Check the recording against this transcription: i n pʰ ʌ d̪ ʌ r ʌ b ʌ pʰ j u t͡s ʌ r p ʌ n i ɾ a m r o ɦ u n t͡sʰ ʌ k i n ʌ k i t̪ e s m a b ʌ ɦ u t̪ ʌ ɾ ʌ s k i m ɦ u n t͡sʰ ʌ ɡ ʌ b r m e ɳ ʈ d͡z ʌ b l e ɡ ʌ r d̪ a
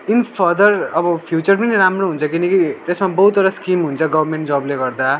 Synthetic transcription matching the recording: i n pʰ ʌ d̪ ʌ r ʌ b ʌ pʰ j u t͡s ʌ r p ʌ n i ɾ a m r o ɦ u n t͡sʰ ʌ k i n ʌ k i t̪ e s m a b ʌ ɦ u t̪ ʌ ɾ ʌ s k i m ɦ u n t͡sʰ ʌ ɡ ʌ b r m e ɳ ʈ d͡z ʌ b l e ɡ ʌ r d̪ a